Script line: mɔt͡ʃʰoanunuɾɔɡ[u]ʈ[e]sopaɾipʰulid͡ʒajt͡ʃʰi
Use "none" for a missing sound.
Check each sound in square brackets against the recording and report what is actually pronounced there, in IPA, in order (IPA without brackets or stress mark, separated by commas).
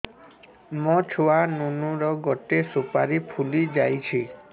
ɔ, e